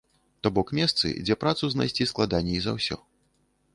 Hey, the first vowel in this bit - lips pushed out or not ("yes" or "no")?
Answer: yes